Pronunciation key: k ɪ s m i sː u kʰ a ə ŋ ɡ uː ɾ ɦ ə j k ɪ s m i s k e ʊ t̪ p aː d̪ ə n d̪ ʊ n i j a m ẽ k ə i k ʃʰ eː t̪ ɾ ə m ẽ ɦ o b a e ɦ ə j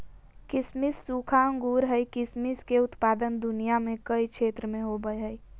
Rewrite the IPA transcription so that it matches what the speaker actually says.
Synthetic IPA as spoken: k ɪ s m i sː u kʰ a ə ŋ ɡ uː ɾ ɦ ə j k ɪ s m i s k e ʊ t̪ p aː d̪ ə n d̪ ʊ n i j a m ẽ k ə i k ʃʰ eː t̪ ɾ ə m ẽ ɦ o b ə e ɦ ə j